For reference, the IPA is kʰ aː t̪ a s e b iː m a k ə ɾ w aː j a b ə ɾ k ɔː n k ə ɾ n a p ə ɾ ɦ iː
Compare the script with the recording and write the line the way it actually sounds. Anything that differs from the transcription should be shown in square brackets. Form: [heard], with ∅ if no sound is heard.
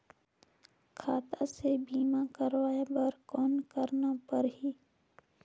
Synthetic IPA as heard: kʰ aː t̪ a s e b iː m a k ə ɾ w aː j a b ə ɾ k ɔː n k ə ɾ n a p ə ɾ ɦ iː